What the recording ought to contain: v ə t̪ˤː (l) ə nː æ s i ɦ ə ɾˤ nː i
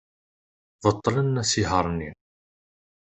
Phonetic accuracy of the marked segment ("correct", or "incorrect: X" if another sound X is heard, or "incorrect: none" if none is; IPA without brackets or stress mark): correct